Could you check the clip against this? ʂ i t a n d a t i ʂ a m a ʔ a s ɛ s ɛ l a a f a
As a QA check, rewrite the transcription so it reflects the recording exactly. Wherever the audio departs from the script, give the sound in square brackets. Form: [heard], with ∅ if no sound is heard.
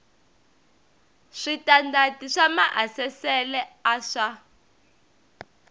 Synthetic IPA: ʂ i t a n d a t i ʂ a m a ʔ a s ɛ s ɛ l [ɛ] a [ʂ] a